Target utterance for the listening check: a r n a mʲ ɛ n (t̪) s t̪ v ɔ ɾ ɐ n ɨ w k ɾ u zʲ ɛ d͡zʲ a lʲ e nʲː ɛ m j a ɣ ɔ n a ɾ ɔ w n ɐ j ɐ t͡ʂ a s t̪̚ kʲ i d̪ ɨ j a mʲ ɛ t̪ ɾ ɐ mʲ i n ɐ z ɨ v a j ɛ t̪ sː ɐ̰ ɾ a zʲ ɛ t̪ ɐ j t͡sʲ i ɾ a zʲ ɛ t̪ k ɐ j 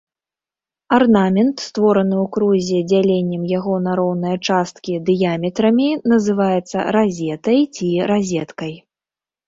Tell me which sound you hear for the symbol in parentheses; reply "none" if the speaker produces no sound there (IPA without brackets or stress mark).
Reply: t̪